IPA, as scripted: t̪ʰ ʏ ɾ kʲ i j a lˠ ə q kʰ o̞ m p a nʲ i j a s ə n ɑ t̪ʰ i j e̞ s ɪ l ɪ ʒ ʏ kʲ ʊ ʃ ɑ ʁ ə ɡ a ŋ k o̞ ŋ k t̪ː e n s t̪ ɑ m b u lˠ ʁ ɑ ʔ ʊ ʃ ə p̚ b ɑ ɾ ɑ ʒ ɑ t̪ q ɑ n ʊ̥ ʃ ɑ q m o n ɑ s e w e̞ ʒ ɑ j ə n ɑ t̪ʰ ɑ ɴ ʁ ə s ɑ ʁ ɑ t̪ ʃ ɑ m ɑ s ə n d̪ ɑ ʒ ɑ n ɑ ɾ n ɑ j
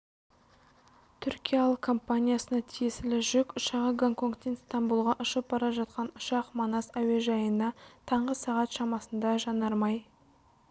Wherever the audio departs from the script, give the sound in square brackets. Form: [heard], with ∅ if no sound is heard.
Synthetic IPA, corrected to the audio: t̪ʰ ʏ ɾ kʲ i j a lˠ ə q kʰ o̞ m p a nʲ i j a s ə n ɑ t̪ʰ i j e̞ s ɪ l ɪ ʒ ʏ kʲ ʊ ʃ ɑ ʁ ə ɡ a ŋ k o̞ ŋ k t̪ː e n s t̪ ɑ m b u lˠ ʁ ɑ ʔ ʊ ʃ ə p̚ b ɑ ɾ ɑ ʒ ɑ t̪ q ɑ n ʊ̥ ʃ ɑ q m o n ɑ s [æ] w e̞ ʒ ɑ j ə n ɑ t̪ʰ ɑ ɴ ʁ ə s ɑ ʁ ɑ t̪ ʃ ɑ m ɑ s ə n d̪ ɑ ʒ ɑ n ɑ ɾ [m] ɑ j